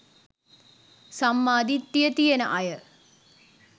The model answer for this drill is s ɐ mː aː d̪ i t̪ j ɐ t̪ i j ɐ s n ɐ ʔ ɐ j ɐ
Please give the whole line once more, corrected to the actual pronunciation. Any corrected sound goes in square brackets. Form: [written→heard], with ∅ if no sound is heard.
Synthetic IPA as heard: s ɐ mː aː d̪ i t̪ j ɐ t̪ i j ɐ [s→∅] n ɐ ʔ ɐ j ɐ